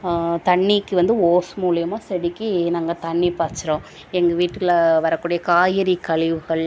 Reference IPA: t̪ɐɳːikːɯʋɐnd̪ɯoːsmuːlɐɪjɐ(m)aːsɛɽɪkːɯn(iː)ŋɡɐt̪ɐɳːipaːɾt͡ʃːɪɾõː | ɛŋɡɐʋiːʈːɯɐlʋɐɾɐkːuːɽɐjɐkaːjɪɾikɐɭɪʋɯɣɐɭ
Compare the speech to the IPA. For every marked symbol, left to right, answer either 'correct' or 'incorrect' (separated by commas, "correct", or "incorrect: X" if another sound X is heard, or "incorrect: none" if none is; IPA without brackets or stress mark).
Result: correct, incorrect: aː